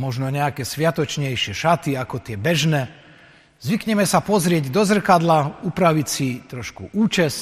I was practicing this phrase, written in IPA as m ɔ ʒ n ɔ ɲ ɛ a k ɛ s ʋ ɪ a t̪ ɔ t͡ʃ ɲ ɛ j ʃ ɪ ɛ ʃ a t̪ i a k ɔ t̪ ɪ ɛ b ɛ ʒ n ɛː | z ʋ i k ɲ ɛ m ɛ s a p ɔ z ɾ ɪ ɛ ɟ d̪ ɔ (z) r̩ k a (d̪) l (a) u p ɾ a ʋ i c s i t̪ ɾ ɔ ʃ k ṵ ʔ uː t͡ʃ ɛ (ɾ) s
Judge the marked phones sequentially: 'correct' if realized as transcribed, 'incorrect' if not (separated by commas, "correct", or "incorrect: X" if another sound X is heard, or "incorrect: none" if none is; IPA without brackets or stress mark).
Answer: correct, correct, correct, incorrect: none